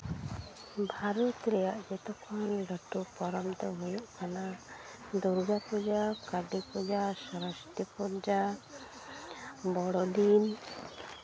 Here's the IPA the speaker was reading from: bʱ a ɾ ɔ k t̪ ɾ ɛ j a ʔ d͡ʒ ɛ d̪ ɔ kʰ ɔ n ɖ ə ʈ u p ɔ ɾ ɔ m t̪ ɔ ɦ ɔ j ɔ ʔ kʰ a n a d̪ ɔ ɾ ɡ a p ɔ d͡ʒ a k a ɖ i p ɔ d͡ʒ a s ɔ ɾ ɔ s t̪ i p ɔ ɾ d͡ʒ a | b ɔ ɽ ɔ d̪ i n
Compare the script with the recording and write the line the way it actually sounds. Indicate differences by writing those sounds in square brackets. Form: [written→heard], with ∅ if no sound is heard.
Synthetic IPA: bʱ a ɾ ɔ [k→∅] t̪ ɾ ɛ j a ʔ d͡ʒ ɛ [d̪→t̪] ɔ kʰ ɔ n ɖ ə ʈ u p ɔ ɾ ɔ m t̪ ɔ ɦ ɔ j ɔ ʔ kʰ a n a d̪ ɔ ɾ ɡ a p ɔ d͡ʒ a k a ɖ i p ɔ d͡ʒ a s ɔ ɾ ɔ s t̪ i p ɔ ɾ d͡ʒ a | b ɔ ɽ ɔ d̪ i n